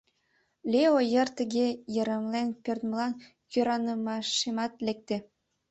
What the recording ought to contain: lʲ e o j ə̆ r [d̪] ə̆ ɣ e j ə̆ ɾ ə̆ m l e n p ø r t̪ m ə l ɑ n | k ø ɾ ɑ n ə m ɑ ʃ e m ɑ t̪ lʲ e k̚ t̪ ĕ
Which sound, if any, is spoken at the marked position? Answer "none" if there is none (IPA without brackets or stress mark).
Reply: t̪